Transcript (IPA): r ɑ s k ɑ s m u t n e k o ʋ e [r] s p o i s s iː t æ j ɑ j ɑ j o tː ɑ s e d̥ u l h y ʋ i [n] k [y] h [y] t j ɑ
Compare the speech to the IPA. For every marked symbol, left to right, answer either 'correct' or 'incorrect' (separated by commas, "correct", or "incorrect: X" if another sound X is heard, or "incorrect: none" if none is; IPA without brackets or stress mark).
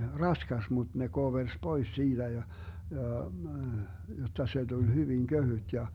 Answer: correct, incorrect: ŋ, incorrect: ø, correct